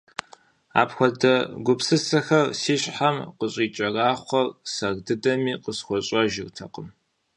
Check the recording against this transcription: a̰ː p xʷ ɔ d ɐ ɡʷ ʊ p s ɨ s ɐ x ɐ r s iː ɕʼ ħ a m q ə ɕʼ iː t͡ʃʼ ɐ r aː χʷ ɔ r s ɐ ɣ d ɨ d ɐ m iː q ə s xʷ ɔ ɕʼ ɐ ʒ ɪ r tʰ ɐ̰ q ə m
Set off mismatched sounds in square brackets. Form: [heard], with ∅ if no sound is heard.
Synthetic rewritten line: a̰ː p xʷ ɔ d ɐ ɡʷ ʊ p s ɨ s ɐ x ɐ r s iː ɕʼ ħ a m q ə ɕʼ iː t͡ʃʼ ɐ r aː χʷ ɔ r s ɐ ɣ d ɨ d ɐ m iː q ə s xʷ ɔ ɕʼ ɐ ʒ ɪ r tʰ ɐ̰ q ə m